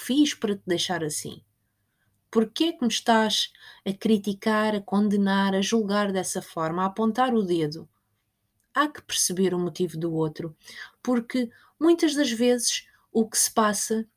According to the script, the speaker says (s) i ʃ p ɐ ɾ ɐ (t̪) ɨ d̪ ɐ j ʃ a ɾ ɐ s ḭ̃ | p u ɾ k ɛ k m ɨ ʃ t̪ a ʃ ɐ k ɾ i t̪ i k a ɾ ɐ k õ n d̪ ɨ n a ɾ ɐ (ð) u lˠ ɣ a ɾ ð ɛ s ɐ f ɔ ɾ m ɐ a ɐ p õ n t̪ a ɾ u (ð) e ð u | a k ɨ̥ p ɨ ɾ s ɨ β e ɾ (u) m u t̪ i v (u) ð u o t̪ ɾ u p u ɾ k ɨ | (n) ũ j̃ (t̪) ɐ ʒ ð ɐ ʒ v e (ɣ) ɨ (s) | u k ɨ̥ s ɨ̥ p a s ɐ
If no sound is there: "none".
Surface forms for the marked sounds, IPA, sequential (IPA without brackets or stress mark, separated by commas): f, t̪, ʒ, ð, u, u, m, t̪, z, ʃ